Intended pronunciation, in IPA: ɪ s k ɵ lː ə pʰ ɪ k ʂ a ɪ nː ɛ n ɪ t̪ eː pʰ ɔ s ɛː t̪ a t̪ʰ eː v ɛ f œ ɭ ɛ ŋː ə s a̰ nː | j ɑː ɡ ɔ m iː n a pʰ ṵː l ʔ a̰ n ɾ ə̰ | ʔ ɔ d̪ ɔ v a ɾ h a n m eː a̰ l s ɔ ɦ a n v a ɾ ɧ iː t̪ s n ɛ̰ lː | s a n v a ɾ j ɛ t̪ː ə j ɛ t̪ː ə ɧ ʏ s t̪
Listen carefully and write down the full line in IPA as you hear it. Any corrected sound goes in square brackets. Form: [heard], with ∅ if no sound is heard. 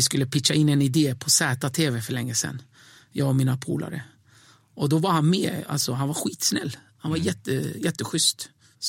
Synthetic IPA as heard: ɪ s k ɵ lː ə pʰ ɪ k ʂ a ɪ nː ɛ n ɪ [d̪] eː pʰ ɔ s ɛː t̪ a t̪ʰ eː v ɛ f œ ɭ ɛ ŋː ə s [ɛ̰] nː | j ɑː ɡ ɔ m iː n a pʰ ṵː l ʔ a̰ [∅] ɾ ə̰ | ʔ ɔ d̪ ɔ v a ɾ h a n m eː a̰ l s ɔ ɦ a n v a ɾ ɧ iː t̪ s n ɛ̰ lː | [h] a n v a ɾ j ɛ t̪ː ə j ɛ t̪ː ə ɧ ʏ s t̪